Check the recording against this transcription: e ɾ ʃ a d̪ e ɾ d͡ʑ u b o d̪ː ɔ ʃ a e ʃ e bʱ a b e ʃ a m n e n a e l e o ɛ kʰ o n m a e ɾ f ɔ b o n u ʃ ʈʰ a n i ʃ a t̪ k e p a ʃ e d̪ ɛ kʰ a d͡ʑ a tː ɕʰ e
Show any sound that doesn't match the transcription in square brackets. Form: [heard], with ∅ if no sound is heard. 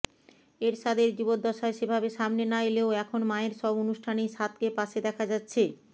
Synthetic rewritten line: e ɾ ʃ a d̪ e ɾ d͡ʑ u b o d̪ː ɔ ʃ a e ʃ e bʱ a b e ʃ a m n e n a e l e o ɛ kʰ o n m a e ɾ [ʃ] ɔ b o n u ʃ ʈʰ a n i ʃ a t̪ k e p a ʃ e d̪ ɛ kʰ a d͡ʑ a tː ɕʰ e